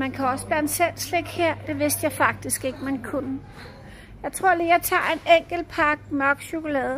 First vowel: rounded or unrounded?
unrounded